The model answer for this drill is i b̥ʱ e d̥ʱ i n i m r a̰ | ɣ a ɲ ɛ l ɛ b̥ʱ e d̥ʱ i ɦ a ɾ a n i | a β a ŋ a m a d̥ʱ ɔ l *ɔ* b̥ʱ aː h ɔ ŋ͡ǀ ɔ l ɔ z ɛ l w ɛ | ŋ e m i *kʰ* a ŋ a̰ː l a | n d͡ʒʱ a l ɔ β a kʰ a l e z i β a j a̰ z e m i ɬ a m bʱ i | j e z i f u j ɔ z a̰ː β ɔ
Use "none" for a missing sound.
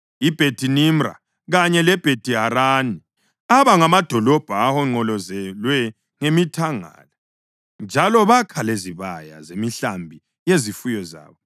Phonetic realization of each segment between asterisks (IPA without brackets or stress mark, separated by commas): ɔ, tʰ